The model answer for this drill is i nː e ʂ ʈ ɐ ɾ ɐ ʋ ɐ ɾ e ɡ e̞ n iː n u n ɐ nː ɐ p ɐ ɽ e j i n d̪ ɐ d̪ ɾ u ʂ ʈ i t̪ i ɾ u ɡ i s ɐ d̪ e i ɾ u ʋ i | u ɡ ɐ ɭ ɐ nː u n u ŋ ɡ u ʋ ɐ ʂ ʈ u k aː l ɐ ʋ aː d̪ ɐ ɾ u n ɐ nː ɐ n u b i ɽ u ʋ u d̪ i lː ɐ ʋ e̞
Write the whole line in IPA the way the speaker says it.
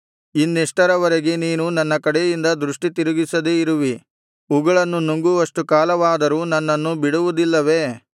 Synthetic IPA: i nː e ʂ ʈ ɐ ɾ ɐ ʋ ɐ ɾ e ɡ e̞ n iː n u n ɐ nː ɐ k ɐ ɽ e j i n d̪ ɐ d̪ ɾ u ʂ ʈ i t̪ i ɾ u ɡ i s ɐ d̪ e i ɾ u ʋ i | u ɡ ɐ ɭ ɐ nː u n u ŋ ɡ u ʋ ɐ ʂ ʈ u k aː l ɐ ʋ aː d̪ ɐ ɾ u n ɐ nː ɐ nː u b i ɽ u ʋ u d̪ i lː ɐ ʋ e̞